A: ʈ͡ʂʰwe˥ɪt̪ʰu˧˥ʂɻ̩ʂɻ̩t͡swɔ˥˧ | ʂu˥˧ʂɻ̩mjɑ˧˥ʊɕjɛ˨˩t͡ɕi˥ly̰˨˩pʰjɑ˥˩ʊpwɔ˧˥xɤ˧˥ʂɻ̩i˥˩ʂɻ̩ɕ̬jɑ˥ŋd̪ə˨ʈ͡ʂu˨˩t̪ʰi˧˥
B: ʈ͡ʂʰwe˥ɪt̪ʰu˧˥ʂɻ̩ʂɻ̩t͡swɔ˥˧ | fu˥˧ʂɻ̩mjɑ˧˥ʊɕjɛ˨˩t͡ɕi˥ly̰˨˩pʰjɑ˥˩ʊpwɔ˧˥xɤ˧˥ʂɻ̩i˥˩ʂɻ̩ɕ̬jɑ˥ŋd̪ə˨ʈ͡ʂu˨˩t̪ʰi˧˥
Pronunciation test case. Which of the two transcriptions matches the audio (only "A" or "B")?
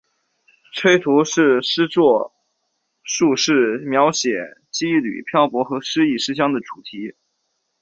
A